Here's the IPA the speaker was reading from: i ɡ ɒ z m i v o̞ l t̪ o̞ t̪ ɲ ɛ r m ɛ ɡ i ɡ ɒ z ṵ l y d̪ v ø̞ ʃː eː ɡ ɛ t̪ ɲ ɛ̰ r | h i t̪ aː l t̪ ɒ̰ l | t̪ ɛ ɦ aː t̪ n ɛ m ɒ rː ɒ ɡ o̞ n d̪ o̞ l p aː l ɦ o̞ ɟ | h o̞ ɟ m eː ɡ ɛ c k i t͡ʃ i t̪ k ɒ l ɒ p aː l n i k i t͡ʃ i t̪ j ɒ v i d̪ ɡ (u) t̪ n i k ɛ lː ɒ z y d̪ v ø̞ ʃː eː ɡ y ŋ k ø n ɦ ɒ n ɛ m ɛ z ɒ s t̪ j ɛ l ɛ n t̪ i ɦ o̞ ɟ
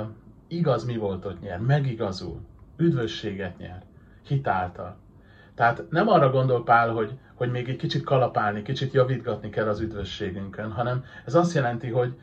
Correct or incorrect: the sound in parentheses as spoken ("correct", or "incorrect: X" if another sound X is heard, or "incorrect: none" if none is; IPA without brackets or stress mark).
incorrect: ɒ